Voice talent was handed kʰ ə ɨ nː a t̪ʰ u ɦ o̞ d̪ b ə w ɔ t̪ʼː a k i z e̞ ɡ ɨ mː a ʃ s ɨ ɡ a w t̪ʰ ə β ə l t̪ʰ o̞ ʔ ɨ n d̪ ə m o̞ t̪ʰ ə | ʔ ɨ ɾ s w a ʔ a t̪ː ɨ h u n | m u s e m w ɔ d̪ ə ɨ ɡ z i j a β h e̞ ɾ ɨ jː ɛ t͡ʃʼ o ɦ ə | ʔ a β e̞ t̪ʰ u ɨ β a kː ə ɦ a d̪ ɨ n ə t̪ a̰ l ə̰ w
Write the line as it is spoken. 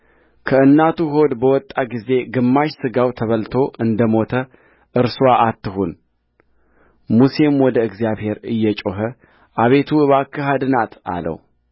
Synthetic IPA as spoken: kʰ ə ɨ nː a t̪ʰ u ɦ o̞ d̪ b ə w ɔ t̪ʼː a ɡ i z e̞ ɡ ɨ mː a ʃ s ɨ ɡ a w t̪ʰ ə β ə l t̪ʰ o̞ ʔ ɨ n d̪ ə m o̞ t̪ʰ ə | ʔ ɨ ɾ s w a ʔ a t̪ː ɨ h u n | m u s e m w ɔ d̪ ə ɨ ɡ z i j a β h e̞ ɾ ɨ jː ɛ t͡ʃʼ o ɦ ə | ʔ a β e̞ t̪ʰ u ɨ β a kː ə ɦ a d̪ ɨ n a t̪ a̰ l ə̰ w